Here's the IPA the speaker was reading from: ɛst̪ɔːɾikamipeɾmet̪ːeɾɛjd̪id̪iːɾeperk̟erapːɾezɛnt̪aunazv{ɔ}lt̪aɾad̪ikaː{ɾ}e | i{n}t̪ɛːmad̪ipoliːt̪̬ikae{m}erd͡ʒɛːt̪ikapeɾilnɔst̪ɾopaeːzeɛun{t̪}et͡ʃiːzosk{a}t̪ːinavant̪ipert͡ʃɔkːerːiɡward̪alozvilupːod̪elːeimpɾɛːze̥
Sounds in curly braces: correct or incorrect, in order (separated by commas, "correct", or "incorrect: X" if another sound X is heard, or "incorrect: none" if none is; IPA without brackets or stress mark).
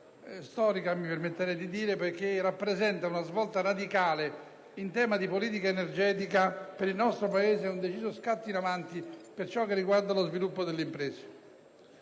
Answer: correct, incorrect: l, correct, incorrect: n, incorrect: d̪, correct